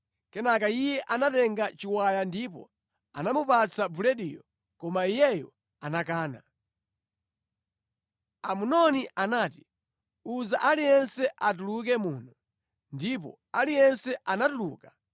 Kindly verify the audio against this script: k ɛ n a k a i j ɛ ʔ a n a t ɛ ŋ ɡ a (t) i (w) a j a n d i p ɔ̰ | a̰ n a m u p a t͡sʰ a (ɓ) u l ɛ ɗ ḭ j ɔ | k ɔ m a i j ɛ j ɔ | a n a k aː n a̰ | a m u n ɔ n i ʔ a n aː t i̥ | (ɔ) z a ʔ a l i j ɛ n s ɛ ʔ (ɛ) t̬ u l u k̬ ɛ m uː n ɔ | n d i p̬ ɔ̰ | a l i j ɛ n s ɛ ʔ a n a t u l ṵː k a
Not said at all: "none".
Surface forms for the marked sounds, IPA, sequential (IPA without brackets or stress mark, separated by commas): t͡ʃ, w, b, u, a